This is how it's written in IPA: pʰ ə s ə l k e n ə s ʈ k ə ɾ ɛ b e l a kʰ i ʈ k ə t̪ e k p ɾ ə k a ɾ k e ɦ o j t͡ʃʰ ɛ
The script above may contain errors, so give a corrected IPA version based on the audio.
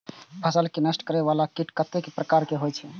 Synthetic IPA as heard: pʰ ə s ə l k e n ə s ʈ k ə ɾ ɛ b a l a k i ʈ k ə t̪ e k p ɾ ə k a ɾ k e ɦ o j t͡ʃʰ ɛ